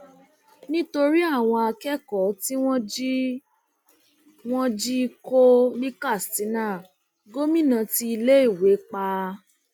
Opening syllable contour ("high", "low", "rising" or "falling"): high